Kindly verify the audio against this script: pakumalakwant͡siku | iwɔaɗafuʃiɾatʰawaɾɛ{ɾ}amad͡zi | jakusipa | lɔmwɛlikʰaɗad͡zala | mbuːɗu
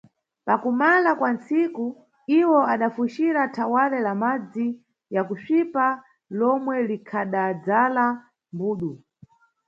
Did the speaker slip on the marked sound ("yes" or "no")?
yes